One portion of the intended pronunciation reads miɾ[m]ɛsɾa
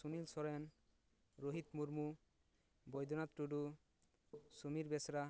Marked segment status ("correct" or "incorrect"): incorrect